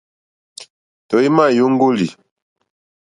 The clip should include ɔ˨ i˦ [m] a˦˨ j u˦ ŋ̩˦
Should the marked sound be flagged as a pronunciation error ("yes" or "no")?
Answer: no